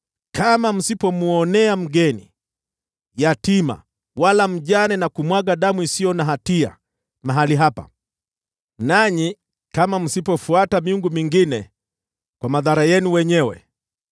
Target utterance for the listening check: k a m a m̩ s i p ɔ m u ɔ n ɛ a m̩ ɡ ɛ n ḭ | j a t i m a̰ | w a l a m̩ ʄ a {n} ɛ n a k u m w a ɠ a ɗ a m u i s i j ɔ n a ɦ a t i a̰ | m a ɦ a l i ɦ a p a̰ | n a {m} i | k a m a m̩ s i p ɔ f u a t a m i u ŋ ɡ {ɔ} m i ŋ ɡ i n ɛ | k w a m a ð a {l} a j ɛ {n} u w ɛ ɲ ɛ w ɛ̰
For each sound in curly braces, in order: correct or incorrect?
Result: correct, incorrect: ɲ, incorrect: u, incorrect: ɾ, correct

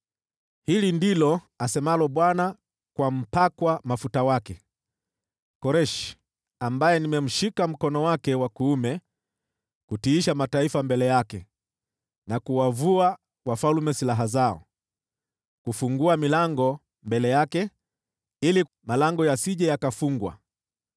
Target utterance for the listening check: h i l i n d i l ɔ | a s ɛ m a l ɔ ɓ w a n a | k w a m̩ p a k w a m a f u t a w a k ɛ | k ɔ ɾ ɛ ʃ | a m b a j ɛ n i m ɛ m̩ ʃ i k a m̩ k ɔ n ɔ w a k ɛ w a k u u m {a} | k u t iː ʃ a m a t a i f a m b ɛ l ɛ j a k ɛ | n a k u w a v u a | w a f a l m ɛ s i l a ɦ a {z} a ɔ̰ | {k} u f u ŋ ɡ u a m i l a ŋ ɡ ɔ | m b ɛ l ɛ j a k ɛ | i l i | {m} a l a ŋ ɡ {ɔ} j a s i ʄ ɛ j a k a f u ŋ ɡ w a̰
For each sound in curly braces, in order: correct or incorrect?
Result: incorrect: ɛ, correct, correct, correct, correct

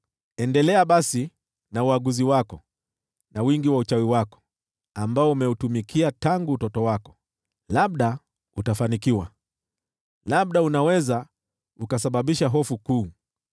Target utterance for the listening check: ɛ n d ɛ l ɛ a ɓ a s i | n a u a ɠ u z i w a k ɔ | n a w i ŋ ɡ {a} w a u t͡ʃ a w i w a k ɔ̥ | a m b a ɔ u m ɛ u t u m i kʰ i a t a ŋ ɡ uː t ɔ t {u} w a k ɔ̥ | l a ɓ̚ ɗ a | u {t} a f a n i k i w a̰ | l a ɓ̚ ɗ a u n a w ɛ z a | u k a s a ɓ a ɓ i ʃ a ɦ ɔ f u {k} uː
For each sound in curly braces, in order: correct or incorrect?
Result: incorrect: i, incorrect: ɔ, correct, correct

